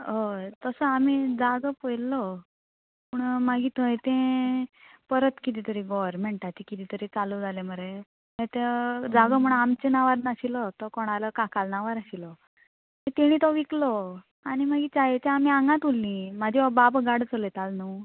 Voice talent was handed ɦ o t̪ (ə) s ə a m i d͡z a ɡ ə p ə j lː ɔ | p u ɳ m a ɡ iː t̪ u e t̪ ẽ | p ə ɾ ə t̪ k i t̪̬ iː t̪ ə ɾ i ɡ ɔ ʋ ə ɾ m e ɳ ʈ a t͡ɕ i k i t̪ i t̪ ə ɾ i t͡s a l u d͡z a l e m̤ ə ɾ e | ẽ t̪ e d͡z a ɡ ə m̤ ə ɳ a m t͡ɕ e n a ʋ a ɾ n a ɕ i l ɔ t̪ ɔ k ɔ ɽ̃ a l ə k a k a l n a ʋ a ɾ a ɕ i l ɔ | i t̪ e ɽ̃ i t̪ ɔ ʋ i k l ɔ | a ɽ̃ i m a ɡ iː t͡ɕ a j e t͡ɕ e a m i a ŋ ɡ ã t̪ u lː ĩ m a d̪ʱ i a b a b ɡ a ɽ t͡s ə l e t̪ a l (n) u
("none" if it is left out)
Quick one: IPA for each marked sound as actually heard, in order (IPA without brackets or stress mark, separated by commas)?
ə, n